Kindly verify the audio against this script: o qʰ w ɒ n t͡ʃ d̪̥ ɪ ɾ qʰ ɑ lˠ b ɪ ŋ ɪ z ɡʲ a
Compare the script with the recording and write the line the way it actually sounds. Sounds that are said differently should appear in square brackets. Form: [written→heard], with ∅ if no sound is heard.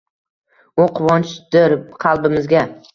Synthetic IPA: o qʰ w ɒ n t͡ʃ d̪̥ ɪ ɾ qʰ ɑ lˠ b ɪ [ŋ→m] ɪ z ɡʲ a